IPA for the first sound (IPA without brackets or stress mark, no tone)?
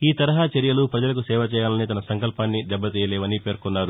iː